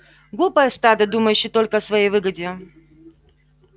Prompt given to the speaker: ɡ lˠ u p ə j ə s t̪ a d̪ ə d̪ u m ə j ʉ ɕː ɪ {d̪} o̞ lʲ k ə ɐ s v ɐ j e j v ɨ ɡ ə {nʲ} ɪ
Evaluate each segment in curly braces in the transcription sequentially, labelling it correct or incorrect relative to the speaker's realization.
incorrect: t̪, incorrect: dʲ

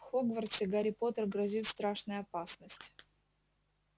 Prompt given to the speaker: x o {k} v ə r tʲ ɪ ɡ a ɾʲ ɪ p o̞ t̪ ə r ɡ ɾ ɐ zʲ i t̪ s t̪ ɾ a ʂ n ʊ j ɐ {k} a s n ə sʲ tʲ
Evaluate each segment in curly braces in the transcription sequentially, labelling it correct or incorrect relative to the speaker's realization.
incorrect: ɡ, incorrect: p

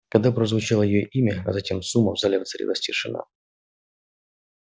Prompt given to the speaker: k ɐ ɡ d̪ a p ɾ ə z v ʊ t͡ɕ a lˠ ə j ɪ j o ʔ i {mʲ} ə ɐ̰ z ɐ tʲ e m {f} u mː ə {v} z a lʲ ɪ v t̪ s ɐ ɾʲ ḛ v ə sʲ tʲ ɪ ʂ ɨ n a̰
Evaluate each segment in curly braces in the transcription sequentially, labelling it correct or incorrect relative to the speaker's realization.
correct, incorrect: s, correct

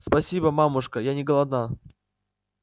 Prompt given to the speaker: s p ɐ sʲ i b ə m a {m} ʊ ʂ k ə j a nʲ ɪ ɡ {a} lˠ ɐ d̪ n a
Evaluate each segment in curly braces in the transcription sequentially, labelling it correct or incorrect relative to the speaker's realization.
correct, incorrect: ə

